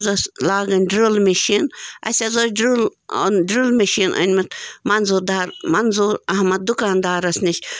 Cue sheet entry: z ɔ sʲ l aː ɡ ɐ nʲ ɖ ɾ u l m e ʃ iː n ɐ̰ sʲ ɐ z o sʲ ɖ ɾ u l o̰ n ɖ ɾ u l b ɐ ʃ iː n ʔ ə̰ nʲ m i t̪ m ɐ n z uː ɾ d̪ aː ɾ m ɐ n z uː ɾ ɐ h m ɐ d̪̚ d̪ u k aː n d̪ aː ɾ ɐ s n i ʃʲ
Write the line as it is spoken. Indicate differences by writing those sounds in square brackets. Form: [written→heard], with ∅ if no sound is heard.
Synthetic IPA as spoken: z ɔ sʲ l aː ɡ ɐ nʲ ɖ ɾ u l m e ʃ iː n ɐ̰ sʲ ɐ z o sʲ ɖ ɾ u l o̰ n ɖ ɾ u l [b→m] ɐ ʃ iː n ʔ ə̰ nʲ m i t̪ m ɐ n z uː ɾ d̪ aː ɾ m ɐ n z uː ɾ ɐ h m ɐ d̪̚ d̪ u k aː n d̪ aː ɾ ɐ s n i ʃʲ